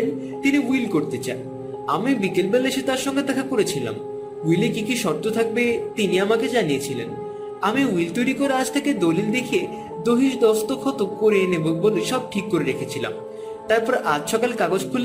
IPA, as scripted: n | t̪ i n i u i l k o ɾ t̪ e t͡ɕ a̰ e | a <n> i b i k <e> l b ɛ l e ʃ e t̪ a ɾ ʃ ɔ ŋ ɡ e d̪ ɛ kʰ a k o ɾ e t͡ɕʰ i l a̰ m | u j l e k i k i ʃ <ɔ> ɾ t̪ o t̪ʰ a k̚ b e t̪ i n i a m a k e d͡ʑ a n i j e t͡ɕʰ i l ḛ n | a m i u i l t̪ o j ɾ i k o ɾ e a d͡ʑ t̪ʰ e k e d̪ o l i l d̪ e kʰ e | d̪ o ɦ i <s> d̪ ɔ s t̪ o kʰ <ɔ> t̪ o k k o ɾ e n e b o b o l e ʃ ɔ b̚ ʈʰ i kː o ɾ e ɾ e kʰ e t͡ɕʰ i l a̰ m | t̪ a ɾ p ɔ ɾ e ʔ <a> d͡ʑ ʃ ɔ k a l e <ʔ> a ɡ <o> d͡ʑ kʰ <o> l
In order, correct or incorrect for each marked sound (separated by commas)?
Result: incorrect, correct, correct, incorrect, correct, correct, incorrect, correct, incorrect